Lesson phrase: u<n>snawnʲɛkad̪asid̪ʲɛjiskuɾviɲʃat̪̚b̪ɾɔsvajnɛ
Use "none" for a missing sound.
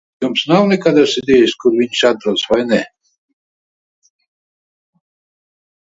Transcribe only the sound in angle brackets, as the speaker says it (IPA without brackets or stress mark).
m